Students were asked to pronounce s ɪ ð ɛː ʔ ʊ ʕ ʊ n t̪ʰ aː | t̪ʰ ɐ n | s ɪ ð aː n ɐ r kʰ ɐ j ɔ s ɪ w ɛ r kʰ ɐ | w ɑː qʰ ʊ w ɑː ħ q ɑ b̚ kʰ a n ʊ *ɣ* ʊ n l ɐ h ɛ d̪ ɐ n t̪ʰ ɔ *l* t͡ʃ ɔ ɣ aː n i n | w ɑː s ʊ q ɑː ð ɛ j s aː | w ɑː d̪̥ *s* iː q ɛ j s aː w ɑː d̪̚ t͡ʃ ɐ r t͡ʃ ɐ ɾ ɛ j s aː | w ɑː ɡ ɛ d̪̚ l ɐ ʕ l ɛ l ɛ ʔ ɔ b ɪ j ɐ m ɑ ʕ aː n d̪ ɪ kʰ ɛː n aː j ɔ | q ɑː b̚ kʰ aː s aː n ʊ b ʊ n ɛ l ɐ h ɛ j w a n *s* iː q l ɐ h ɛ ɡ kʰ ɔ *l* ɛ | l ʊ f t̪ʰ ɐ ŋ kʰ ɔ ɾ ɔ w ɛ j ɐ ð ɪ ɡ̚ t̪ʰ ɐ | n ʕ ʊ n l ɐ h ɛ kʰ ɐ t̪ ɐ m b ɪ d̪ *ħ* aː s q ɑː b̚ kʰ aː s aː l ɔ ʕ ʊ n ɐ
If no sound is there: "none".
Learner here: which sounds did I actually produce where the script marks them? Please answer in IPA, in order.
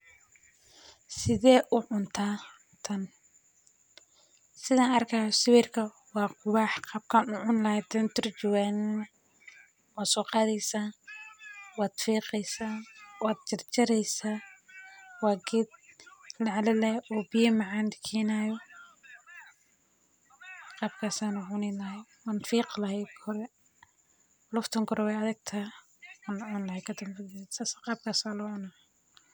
ʕ, r, f, f, ɾ, s

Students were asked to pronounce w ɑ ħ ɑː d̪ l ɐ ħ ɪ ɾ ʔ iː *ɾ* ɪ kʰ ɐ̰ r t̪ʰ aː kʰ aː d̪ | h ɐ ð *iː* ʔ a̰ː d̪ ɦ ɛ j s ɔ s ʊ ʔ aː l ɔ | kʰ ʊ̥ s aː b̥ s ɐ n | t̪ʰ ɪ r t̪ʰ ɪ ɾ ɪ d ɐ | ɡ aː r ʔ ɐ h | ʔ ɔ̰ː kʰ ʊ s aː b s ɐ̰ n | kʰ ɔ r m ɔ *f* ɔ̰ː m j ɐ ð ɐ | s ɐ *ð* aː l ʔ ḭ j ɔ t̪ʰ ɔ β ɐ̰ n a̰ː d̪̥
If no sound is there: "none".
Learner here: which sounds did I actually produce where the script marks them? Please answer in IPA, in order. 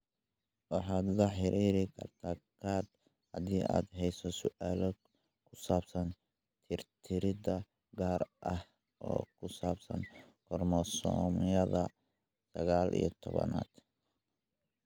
ɾ, iː, s, ɣ

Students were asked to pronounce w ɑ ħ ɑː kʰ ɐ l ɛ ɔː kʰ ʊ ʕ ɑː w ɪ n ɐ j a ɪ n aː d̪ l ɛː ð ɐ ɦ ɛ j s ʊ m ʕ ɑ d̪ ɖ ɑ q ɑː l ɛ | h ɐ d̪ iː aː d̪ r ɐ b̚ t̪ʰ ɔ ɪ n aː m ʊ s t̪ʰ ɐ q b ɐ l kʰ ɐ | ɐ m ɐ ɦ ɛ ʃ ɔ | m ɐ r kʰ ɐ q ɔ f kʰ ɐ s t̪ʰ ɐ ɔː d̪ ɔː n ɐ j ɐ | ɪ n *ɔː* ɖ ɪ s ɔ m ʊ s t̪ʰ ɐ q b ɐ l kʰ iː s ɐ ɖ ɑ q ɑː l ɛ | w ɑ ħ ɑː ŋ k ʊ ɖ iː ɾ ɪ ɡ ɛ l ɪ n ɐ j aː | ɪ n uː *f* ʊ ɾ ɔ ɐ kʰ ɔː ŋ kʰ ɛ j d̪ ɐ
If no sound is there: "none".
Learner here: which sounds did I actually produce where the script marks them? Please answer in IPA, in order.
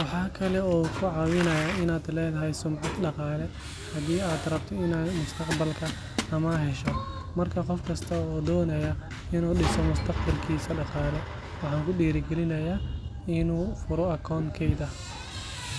uː, f

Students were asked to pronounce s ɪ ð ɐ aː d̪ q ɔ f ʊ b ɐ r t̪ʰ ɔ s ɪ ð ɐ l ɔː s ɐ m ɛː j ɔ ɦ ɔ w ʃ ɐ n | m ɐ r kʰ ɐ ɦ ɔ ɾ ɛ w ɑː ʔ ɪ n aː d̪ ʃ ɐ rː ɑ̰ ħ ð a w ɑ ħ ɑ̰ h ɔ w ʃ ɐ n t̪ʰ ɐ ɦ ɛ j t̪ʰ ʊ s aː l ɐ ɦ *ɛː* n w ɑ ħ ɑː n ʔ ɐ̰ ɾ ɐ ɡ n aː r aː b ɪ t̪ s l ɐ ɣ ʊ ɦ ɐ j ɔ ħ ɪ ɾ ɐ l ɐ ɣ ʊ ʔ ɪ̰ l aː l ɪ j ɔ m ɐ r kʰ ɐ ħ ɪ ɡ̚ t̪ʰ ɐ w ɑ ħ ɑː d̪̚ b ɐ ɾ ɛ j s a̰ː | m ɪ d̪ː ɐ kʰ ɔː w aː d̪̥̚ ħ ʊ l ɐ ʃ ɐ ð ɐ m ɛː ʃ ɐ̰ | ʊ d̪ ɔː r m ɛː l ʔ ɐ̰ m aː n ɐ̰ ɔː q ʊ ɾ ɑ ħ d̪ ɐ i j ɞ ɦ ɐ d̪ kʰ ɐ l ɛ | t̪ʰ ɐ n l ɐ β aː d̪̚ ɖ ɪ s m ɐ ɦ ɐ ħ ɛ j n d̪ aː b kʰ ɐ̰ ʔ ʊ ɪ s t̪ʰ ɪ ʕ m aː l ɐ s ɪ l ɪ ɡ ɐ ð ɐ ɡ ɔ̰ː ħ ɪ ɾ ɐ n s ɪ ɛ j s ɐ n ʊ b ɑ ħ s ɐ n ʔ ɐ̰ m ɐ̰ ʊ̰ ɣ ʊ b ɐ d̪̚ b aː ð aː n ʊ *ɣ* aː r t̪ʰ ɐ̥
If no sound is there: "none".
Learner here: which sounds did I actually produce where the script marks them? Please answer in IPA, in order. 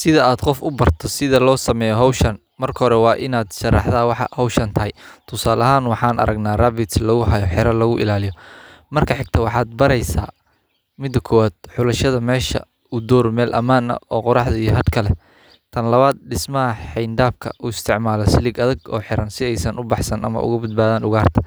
aː, ɣ

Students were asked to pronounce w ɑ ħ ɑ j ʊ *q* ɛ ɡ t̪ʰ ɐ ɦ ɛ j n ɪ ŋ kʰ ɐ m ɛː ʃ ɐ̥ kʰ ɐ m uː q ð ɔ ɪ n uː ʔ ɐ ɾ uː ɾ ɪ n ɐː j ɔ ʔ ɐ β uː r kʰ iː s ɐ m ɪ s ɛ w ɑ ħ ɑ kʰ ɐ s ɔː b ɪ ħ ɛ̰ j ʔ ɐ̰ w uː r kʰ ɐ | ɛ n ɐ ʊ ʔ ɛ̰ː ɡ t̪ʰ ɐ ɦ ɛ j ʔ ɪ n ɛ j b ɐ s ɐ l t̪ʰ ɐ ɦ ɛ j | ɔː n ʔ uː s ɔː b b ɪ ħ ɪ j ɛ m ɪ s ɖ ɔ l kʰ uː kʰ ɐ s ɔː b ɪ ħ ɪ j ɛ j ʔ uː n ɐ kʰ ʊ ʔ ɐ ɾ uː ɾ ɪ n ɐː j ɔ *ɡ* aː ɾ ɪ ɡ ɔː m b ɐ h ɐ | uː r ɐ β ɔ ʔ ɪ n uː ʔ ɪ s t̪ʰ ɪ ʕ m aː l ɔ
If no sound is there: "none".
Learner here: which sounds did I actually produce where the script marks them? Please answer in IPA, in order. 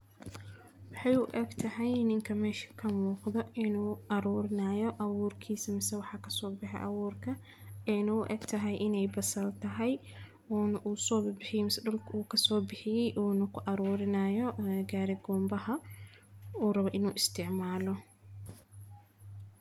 ʔ, ɡ

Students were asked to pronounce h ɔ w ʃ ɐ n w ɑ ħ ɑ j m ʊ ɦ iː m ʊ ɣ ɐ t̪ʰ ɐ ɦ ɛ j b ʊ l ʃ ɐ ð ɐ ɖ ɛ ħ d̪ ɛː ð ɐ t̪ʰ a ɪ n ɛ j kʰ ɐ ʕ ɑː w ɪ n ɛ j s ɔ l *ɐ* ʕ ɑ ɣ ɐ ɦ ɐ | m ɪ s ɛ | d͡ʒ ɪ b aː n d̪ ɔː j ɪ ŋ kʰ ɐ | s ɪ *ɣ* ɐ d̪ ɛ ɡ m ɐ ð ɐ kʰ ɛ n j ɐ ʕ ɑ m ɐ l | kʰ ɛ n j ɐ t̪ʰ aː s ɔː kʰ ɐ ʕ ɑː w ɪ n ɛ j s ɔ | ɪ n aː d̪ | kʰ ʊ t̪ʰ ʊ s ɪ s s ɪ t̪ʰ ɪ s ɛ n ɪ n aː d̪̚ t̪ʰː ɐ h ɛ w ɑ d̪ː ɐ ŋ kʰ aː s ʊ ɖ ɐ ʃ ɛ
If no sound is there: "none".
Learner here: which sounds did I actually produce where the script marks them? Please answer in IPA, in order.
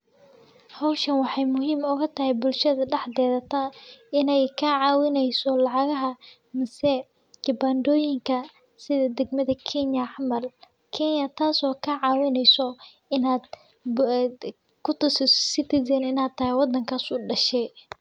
ɑ, ð

